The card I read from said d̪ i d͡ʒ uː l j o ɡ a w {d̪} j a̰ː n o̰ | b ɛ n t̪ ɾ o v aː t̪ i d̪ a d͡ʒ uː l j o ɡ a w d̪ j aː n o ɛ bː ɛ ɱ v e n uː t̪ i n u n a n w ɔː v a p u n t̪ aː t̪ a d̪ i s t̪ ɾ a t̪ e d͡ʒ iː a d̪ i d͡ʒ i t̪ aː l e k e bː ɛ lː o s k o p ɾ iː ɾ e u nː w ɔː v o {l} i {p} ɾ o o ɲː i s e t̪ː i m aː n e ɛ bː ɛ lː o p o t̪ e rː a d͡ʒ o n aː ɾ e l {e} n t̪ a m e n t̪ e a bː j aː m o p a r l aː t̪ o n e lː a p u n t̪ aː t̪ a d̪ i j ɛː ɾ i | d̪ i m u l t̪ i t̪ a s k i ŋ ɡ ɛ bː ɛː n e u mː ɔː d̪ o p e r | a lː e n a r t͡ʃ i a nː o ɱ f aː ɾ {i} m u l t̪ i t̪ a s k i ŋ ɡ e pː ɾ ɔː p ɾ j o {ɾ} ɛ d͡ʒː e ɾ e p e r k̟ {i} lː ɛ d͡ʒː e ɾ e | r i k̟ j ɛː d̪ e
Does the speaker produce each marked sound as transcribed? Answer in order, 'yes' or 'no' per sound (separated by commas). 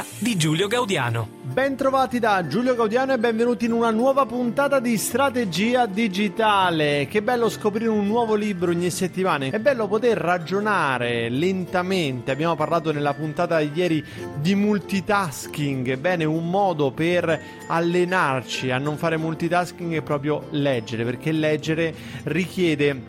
yes, yes, no, yes, no, no, no